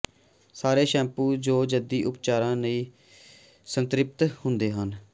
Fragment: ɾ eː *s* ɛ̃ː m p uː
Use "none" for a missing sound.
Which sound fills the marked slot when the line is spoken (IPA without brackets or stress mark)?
ʃ